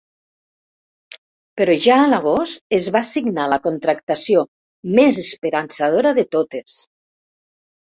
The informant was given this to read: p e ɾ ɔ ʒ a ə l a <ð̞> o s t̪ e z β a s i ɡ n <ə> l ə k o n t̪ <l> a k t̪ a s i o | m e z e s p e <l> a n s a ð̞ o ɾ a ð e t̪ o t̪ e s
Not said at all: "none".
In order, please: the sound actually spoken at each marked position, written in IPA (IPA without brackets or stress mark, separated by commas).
ɣ̞, a, ɾ, ɾ